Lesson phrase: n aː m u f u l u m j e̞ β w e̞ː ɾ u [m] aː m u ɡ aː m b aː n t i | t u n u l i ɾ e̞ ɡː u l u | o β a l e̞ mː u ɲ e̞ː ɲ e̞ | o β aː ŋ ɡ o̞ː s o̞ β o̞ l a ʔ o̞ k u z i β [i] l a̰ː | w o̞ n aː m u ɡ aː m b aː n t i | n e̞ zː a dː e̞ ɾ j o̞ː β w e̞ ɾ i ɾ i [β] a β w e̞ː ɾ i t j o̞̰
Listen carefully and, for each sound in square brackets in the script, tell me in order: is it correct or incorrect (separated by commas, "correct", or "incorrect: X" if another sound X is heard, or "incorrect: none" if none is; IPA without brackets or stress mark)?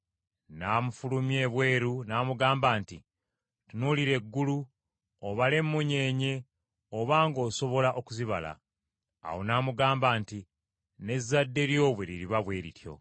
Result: incorrect: n, incorrect: a, correct